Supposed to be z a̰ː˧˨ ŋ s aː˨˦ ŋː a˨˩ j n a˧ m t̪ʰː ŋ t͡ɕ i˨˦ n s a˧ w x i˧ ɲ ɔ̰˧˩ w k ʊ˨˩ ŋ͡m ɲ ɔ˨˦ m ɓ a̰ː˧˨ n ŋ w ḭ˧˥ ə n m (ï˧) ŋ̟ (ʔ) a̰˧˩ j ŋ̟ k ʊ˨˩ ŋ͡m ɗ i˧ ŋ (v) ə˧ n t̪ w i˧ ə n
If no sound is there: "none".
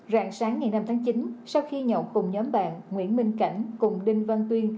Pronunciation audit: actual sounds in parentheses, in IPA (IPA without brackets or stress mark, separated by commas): ï˧, k, v